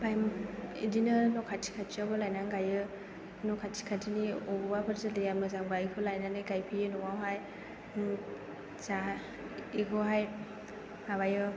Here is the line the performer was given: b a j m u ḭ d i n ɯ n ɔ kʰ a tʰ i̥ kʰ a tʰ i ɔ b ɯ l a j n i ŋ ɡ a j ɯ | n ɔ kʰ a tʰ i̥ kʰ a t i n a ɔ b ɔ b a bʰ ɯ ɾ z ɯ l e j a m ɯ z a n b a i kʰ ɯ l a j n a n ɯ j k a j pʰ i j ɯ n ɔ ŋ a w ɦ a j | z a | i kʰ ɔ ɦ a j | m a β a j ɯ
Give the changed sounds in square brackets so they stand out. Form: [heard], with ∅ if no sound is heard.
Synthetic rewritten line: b a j m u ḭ d i n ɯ n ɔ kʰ a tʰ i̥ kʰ a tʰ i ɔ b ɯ l a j n [a] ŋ ɡ a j ɯ | n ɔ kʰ a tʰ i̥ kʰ a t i n [i] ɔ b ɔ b a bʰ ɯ ɾ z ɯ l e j a m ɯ z a [ŋ] b a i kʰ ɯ l a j n a n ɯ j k a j pʰ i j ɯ n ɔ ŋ a w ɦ a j | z a | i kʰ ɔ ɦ a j | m a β a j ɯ